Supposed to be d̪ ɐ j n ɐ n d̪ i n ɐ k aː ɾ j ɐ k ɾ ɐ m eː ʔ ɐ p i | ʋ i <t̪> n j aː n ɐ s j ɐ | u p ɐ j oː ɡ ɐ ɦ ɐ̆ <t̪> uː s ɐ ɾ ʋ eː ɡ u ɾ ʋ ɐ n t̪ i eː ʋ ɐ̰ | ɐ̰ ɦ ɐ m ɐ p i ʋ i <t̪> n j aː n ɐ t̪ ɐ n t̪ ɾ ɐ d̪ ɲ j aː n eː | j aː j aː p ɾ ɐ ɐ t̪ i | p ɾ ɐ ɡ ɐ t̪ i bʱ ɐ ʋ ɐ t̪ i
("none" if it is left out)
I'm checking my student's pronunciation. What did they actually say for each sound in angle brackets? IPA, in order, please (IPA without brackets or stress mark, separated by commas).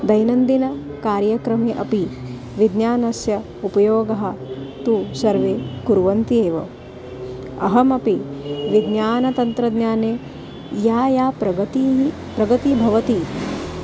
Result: d̪, t̪, d̪